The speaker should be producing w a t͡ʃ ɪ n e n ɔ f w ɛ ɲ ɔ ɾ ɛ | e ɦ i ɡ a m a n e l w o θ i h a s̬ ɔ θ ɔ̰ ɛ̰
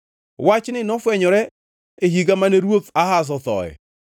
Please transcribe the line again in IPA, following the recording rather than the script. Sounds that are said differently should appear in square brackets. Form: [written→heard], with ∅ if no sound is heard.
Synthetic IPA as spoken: w a t͡ʃ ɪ n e n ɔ f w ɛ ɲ ɔ ɾ ɛ | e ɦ i ɡ a m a n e [l→ɾ] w o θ [i→a] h a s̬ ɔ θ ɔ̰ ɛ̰